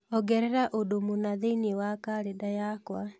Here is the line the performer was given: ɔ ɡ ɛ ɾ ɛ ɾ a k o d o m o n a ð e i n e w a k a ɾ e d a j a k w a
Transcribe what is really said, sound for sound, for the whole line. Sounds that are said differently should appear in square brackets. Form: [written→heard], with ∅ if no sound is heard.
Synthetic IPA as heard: ɔ ɡ ɛ ɾ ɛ ɾ a [k→ʔ] o d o m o n a ð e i n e w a k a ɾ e d a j a k w a